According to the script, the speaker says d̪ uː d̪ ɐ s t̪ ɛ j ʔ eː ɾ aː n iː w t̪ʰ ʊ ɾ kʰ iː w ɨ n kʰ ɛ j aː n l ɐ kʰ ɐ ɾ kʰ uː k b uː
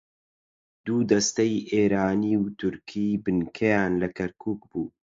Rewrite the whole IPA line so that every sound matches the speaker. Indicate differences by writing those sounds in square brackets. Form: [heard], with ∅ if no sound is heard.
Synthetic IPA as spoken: d̪ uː d̪ ɐ s t̪ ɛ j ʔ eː ɾ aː n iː w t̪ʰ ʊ ɾ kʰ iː [b] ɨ n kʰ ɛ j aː n l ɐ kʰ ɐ ɾ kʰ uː k b uː